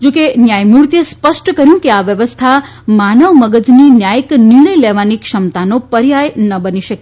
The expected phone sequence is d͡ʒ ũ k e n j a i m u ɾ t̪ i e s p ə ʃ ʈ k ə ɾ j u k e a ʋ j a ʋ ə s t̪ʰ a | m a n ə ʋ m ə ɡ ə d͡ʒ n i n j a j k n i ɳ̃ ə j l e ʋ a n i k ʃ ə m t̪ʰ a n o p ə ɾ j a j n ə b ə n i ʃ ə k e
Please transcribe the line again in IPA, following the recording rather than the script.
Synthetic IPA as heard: d͡ʒ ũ k e n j a j m u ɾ t̪ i e s p ə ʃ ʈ k ə ɾ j ũ k e a ʋ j ə ʋ ə s t̪ʰ a | m a n ə ʋ m ə ɡ ə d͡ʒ n i n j a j k n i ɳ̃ ə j l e ʋ a n i k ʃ ə m t̪ a n o p ə ɾ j a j n ə b ə n i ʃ ə k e